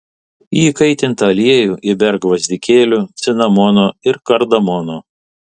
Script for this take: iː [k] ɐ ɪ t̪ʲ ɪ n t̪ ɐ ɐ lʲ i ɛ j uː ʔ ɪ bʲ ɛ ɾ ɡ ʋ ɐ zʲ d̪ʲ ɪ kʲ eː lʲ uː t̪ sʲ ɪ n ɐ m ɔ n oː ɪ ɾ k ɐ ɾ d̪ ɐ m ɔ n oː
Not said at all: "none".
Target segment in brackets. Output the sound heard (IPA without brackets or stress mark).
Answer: k